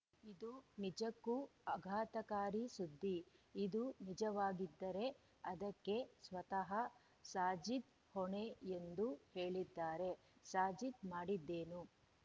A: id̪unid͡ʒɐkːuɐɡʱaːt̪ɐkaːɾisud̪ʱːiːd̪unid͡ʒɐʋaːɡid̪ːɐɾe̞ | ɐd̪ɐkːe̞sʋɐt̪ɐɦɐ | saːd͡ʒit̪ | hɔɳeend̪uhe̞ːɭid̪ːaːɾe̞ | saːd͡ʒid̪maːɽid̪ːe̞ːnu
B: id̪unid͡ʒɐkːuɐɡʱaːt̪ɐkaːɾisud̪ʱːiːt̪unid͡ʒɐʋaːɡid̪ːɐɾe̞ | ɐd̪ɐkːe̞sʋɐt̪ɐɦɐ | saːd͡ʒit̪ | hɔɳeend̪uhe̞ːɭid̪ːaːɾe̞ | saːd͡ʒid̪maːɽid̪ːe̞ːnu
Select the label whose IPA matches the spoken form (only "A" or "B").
A